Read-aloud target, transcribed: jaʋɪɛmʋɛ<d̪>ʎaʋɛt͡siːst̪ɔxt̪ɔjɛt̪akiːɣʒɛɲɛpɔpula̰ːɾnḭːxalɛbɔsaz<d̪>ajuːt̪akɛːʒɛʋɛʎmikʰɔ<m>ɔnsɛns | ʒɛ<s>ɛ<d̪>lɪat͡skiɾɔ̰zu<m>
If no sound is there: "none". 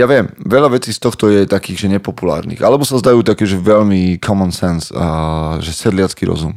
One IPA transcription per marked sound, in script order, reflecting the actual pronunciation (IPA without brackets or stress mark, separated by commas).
none, d̪, m, s, d̪, m